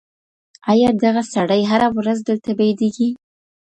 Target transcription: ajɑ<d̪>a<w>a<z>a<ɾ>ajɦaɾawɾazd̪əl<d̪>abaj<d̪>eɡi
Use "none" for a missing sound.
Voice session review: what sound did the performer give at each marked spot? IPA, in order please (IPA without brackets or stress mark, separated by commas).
d̪, ɣ, s, ɽ, t̪, d̪